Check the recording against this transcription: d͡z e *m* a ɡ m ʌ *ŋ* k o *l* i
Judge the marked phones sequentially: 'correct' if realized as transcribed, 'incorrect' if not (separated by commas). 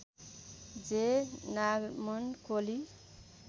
incorrect, incorrect, correct